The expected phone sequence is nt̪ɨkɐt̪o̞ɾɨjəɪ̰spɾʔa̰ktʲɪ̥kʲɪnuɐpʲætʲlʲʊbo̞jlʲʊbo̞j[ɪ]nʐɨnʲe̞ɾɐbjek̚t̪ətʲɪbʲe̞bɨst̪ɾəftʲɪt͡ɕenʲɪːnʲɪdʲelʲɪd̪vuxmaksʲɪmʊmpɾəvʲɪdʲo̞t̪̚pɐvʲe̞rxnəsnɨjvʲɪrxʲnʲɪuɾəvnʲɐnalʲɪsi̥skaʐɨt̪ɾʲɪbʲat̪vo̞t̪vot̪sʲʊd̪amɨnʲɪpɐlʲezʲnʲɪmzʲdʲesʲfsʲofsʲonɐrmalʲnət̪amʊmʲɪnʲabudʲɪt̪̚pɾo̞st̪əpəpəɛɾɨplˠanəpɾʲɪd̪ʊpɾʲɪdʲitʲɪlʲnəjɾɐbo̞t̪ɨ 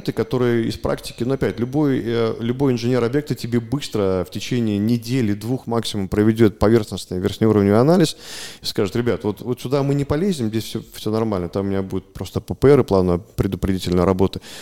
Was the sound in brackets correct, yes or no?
yes